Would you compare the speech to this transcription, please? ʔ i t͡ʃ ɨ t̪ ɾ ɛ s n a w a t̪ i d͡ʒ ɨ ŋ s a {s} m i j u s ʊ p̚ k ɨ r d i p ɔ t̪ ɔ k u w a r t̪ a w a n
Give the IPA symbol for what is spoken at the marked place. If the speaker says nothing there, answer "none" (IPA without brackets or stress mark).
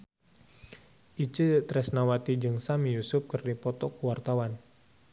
none